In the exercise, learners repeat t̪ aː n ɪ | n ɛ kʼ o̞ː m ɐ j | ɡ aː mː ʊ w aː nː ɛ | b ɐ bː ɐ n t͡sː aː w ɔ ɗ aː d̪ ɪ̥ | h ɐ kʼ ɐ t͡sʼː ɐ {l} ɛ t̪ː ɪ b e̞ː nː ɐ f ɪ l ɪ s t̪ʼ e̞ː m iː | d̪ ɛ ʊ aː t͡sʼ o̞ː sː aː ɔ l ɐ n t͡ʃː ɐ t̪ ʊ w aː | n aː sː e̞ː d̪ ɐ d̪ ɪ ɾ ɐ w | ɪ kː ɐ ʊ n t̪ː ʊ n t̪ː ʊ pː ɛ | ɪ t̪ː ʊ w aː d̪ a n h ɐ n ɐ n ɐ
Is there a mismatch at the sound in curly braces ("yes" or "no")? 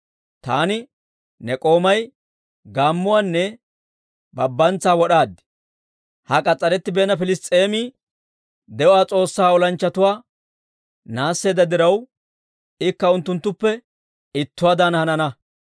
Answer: yes